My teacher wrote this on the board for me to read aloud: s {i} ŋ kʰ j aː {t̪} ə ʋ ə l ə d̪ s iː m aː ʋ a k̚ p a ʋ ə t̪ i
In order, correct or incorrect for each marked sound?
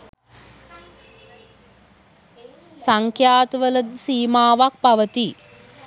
incorrect: a, correct

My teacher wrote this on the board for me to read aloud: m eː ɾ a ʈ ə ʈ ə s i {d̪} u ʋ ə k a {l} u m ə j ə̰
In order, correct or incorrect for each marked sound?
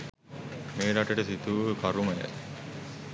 incorrect: t̪, incorrect: ɾ

